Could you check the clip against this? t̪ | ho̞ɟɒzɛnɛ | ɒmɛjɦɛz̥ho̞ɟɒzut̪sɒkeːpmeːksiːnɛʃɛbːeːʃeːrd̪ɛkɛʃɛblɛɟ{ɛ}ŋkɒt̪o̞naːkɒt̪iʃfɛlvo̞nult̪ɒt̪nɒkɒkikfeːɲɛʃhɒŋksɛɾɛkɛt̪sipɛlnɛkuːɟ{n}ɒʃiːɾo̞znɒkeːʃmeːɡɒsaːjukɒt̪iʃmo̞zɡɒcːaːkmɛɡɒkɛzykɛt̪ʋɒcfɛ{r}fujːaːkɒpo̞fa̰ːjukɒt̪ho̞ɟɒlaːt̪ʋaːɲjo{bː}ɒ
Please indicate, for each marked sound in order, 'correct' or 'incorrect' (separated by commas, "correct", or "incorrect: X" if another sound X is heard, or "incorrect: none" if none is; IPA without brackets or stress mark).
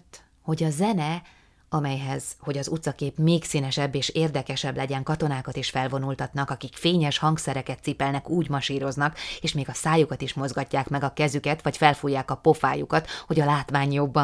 correct, incorrect: m, incorrect: l, correct